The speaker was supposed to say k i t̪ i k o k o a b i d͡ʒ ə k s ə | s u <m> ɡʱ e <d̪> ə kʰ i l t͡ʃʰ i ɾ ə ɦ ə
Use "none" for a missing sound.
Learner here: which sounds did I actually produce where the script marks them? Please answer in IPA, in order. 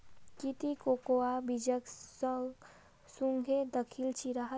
ŋ, d̪

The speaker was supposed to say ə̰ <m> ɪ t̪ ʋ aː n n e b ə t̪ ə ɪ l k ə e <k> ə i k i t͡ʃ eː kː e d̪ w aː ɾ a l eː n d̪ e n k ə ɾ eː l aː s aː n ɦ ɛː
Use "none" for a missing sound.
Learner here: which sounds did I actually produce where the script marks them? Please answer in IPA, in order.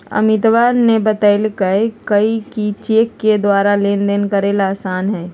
m, k

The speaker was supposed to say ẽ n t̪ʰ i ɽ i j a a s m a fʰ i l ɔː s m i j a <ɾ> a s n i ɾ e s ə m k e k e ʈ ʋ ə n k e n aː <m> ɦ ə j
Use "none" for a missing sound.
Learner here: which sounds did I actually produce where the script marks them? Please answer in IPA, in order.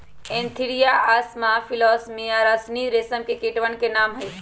ɾ, m

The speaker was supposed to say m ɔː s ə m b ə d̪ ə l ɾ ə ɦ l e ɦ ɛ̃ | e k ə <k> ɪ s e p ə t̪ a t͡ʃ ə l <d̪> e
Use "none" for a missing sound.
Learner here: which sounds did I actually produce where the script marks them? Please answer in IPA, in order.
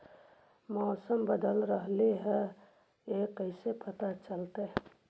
none, t̪

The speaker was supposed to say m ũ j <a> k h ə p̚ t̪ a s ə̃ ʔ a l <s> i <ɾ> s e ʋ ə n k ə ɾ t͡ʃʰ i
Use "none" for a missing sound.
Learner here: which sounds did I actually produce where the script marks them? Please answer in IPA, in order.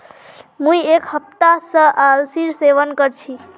e, s, ɾ

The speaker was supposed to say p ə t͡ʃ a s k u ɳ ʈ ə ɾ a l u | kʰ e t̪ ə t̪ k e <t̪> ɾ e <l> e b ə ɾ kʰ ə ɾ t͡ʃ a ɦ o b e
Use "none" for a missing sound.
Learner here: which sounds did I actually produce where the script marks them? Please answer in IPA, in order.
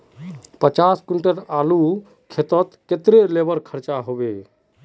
t̪, l

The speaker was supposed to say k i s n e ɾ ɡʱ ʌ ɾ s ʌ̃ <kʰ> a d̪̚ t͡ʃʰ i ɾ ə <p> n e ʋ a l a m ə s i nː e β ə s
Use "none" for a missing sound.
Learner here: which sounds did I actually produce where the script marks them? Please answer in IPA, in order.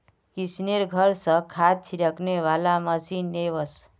kʰ, k

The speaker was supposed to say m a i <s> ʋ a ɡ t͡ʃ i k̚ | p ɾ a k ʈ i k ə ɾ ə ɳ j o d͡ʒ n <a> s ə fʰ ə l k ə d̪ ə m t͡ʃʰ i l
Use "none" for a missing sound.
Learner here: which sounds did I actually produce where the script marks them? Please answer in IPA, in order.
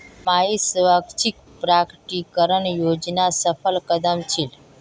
s, a

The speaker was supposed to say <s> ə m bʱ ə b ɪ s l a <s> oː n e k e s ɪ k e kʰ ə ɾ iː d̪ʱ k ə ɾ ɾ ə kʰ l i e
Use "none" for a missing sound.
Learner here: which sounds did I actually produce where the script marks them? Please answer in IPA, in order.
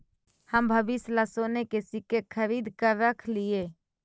h, s

